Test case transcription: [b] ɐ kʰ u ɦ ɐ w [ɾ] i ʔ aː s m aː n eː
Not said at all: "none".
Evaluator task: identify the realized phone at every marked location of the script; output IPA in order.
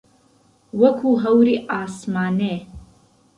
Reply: w, ɾ

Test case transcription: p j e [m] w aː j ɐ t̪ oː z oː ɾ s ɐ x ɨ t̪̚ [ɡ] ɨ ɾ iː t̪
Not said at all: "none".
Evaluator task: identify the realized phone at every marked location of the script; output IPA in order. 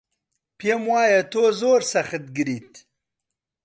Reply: m, ɡ

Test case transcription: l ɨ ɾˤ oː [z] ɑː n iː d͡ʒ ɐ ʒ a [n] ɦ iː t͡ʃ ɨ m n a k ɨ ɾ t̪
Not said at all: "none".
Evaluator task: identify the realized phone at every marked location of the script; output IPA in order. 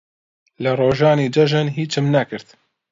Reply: ʒ, n

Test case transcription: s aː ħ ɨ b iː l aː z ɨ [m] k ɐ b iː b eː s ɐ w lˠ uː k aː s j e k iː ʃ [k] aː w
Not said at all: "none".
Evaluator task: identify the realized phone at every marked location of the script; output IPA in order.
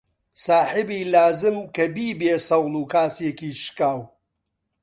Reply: m, k

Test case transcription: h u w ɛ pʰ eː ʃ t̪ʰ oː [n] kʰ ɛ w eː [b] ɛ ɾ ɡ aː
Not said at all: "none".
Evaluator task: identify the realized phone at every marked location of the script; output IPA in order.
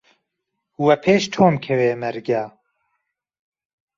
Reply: m, m

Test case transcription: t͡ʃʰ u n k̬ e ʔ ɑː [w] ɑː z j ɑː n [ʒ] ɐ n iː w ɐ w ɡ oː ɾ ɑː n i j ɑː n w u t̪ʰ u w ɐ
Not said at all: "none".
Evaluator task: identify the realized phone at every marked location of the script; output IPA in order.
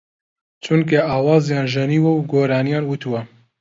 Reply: w, ʒ

